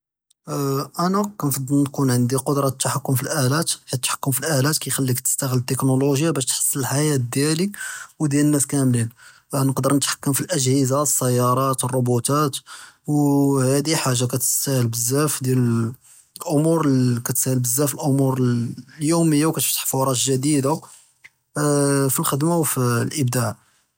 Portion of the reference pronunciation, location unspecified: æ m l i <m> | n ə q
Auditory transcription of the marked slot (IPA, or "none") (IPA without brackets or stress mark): n